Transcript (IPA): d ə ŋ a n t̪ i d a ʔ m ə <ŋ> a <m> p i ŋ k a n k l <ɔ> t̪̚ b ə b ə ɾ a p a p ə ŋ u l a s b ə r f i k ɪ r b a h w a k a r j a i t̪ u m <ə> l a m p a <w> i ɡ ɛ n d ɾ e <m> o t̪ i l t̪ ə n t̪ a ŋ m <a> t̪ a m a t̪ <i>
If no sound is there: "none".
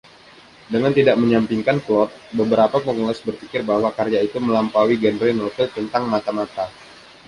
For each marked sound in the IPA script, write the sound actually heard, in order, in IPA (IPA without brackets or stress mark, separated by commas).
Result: ɲ, m, ɔ, ə, w, n, a, a